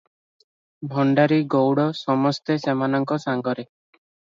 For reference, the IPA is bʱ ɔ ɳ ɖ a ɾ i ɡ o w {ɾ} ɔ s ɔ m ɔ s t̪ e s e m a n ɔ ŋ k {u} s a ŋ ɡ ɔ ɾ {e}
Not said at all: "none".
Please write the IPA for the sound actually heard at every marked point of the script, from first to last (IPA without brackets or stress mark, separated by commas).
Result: ɽ, ɔ, e